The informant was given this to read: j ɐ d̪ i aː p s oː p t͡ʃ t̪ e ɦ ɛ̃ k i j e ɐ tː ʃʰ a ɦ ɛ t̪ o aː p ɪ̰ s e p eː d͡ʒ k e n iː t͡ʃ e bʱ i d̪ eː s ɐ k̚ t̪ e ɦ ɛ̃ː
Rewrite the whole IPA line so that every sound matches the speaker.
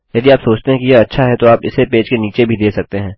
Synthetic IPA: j ɐ d̪ i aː p s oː t͡ʃ t̪ e ɦ ɛ̃ k i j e ɐ tː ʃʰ a ɦ ɛ t̪ o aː p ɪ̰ s e p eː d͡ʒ k e n iː t͡ʃ e bʱ i d̪ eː s ɐ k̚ t̪ e ɦ ɛ̃ː